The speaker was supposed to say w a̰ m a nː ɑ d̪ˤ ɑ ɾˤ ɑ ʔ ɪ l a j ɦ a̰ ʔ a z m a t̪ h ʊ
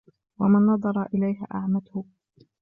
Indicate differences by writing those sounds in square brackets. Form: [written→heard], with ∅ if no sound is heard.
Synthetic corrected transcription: w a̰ m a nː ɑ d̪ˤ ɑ ɾˤ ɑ ʔ ɪ l a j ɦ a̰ ʔ a [z→ʕ] m a t̪ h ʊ

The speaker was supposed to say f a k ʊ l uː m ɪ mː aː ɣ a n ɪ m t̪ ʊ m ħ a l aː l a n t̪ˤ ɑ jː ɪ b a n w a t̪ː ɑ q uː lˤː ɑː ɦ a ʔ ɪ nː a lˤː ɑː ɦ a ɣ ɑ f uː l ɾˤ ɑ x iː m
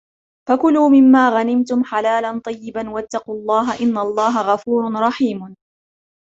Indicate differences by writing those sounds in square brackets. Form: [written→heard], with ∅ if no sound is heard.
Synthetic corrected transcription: f a k ʊ l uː m ɪ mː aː ɣ a n ɪ m t̪ ʊ m ħ a l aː l a n t̪ˤ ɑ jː ɪ b a n w a t̪ː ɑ q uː lˤː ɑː ɦ a ʔ ɪ nː a lˤː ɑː ɦ a ɣ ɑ f uː [l→ɾ] ɾˤ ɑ [x→ħ] iː m

